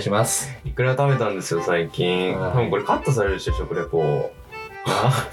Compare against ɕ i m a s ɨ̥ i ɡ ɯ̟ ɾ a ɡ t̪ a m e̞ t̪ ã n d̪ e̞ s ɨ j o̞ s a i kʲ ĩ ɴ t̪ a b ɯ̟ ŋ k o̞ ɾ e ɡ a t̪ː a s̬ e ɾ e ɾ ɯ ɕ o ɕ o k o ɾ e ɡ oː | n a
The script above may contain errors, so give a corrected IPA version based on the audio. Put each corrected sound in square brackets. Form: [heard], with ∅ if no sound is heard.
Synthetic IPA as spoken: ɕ i m a s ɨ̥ i [k] ɯ̟ ɾ a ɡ t̪ a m e̞ t̪ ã n d̪ e̞ s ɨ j o̞ s a i kʲ ĩ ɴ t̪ a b ɯ̟ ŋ k o̞ ɾ e [k] a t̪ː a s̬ [a] ɾ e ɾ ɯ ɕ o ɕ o k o ɾ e [k] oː | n a